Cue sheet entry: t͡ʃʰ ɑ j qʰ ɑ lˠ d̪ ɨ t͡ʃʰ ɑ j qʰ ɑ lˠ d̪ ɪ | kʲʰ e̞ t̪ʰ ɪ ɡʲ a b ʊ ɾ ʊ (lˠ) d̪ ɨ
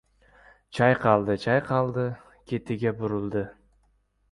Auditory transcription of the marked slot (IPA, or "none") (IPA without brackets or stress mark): lˠ